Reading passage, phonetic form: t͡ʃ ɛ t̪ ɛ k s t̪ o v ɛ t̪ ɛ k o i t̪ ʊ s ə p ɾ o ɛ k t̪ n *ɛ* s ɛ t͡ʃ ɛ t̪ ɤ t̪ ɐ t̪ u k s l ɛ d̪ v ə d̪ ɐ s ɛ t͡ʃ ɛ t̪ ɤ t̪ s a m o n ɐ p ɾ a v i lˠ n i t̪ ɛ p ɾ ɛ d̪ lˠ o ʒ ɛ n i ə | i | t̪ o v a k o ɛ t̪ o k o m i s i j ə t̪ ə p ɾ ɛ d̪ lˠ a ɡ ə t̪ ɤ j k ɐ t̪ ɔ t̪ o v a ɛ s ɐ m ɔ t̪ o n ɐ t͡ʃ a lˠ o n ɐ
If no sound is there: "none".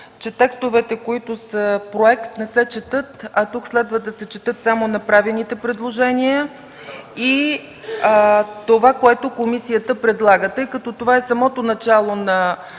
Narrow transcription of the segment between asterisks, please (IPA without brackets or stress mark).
ɛ